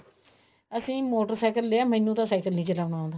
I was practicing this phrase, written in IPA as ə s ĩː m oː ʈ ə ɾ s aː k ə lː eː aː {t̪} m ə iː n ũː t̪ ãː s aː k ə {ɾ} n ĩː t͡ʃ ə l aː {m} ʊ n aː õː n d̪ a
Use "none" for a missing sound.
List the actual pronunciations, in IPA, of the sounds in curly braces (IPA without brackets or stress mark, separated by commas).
none, l, none